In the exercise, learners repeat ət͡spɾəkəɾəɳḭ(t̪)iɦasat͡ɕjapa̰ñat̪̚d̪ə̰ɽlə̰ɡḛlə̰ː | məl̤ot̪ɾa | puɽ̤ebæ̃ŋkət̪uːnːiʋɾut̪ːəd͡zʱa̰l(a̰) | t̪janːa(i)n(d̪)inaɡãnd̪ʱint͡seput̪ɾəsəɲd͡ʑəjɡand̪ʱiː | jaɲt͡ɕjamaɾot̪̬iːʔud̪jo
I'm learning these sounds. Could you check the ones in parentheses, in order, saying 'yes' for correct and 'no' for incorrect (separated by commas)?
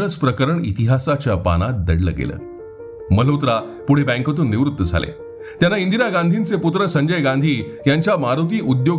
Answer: yes, no, yes, yes